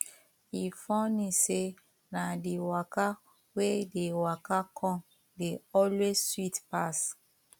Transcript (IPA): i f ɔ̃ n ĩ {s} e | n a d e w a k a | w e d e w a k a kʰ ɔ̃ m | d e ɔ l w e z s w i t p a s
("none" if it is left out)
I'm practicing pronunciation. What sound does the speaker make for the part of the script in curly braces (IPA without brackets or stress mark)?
s